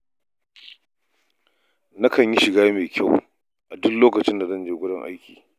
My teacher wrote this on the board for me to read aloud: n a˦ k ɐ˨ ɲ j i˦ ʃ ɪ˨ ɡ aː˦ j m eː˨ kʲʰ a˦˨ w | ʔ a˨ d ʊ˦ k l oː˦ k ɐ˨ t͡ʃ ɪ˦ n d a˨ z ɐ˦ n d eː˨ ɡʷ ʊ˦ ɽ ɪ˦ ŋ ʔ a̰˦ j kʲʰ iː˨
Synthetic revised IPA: n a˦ k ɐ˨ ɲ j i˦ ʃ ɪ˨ ɡ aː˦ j m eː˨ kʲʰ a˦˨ w | ʔ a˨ d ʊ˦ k l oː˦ k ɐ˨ t͡ʃ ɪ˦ n d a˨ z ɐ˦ n d͡ʒ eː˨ ɡʷ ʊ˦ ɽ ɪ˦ ŋ ʔ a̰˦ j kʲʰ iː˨